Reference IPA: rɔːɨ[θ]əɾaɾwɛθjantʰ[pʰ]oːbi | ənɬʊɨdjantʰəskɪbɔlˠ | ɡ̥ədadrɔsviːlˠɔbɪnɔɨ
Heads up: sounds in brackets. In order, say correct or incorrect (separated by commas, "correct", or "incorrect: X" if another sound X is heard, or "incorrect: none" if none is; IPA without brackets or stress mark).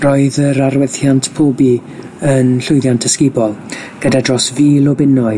incorrect: ð, correct